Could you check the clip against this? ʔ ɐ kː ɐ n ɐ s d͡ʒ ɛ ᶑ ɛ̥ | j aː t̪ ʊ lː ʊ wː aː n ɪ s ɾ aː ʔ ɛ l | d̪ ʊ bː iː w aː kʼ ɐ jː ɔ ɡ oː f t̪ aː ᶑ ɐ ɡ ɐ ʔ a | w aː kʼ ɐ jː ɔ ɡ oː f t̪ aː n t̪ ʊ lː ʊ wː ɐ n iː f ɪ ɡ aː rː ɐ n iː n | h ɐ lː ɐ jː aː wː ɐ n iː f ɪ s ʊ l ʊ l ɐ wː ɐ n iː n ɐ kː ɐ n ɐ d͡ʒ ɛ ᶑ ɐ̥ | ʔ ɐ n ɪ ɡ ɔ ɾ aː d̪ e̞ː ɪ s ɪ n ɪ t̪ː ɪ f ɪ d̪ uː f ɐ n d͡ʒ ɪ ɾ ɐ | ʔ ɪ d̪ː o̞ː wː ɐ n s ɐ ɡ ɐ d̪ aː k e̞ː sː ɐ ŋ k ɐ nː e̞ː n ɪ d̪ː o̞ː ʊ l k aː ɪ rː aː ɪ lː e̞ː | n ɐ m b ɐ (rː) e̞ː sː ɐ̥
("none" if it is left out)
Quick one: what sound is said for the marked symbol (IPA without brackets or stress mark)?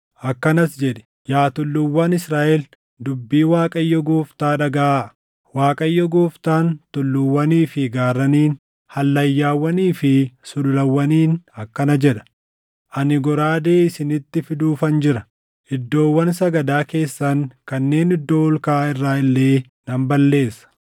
lː